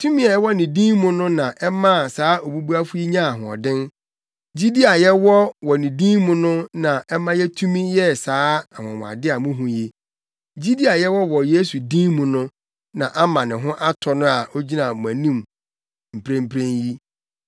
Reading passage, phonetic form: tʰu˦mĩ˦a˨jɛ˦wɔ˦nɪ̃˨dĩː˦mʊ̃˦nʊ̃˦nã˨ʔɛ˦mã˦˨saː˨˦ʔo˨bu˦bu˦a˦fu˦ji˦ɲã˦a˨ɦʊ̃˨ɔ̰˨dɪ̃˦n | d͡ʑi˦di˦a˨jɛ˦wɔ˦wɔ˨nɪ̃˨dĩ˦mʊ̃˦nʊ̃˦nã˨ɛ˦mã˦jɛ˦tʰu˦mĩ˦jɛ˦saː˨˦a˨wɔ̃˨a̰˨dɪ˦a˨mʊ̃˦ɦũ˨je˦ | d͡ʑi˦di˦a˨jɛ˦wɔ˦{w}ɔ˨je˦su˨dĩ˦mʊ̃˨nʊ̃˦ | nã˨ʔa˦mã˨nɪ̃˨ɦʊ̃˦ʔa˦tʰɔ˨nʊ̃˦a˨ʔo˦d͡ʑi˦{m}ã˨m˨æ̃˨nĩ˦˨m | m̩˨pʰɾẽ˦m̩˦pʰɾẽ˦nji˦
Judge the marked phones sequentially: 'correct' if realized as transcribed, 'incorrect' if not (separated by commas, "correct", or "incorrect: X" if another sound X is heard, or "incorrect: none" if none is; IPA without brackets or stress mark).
correct, incorrect: n